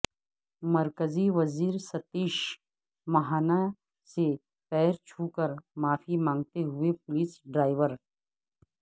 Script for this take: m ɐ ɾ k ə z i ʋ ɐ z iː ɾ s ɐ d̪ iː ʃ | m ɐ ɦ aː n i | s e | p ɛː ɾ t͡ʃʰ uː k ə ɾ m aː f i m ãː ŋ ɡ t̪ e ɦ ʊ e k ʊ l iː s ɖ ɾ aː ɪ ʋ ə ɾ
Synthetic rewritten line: m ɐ ɾ k ə z i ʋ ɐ z iː ɾ s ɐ t̪ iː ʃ | m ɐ ɦ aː n a | s e | p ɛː ɾ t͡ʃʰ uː k ə ɾ m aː f i m ãː ŋ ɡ t̪ e ɦ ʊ e p ʊ l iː s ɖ ɾ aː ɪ ʋ ə ɾ